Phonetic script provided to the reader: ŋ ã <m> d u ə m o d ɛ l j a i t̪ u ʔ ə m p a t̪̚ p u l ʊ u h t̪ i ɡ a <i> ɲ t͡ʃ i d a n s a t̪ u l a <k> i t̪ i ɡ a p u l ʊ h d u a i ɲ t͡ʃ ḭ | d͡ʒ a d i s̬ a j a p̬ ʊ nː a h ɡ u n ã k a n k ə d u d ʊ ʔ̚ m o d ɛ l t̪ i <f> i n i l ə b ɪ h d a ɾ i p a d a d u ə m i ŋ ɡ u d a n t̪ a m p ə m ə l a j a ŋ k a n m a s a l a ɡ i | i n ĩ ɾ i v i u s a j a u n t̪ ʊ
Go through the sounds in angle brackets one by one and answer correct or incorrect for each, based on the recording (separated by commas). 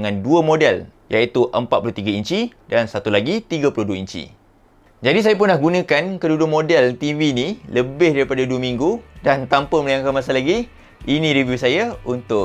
incorrect, correct, incorrect, incorrect